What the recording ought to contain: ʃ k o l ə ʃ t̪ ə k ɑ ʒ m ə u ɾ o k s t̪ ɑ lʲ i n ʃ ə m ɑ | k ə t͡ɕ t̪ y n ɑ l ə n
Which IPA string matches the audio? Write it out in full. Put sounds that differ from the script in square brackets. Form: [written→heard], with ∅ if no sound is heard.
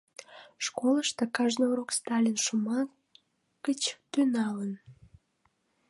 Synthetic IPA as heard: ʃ k o l ə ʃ t̪ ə k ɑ ʒ [m→n] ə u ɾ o k s t̪ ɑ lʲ i n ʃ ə m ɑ | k ə t͡ɕ t̪ y n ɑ l ə n